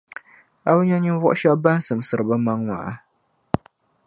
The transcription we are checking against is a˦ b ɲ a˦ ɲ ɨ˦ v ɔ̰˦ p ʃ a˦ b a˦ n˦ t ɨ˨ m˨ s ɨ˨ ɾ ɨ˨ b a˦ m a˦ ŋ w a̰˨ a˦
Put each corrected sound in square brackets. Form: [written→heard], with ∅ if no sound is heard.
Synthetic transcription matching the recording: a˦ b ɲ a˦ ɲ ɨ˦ v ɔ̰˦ [p→ʔ] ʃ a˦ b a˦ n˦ [t→s] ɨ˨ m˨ s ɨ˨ ɾ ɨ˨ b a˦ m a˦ ŋ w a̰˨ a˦